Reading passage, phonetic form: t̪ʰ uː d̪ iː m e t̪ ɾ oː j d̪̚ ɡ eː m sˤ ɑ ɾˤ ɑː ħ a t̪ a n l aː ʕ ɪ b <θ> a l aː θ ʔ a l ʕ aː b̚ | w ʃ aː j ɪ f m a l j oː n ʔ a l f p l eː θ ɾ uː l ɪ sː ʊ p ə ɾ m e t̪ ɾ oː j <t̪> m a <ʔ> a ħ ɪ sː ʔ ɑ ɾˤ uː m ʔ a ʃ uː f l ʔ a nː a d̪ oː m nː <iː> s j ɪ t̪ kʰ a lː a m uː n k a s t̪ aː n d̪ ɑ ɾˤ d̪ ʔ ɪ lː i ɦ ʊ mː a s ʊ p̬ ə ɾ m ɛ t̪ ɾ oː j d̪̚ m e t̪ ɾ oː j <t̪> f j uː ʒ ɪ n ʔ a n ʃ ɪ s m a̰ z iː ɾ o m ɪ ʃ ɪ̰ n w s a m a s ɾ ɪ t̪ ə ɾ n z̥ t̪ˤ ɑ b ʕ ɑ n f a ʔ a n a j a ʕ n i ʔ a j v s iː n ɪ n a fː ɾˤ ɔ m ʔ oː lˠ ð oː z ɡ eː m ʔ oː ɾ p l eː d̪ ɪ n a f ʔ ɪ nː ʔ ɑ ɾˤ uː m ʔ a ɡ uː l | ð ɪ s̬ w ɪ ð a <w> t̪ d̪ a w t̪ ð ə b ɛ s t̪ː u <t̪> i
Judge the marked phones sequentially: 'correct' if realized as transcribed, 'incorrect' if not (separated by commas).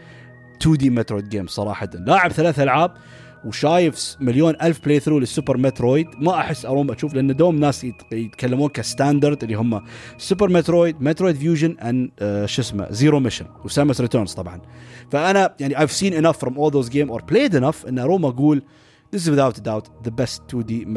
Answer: correct, incorrect, correct, incorrect, incorrect, correct, incorrect